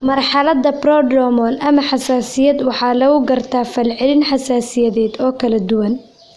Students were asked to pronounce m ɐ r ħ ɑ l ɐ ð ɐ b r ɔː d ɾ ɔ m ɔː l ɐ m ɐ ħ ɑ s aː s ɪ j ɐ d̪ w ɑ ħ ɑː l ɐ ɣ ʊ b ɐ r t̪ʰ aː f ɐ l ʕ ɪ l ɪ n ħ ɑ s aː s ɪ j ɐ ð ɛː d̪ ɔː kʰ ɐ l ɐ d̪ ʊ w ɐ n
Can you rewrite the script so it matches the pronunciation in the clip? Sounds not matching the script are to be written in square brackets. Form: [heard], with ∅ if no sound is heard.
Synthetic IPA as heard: m ɐ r ħ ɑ l ɐ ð ɐ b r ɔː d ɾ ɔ m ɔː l ɐ m ɐ ħ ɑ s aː s ɪ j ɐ d̪ w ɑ ħ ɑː l ɐ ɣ ʊ [ɡ] ɐ r t̪ʰ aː f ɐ l ʕ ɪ l ɪ n ħ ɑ s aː s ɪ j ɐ ð ɛː d̪ ɔː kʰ ɐ l ɐ d̪ ʊ w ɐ n